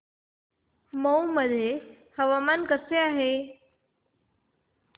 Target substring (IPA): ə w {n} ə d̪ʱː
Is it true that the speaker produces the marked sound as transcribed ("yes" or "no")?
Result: no